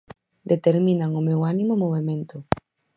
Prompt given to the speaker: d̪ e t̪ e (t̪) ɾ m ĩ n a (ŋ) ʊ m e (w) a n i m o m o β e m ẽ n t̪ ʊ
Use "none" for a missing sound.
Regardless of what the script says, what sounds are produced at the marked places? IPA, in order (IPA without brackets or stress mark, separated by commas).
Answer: none, ŋ, w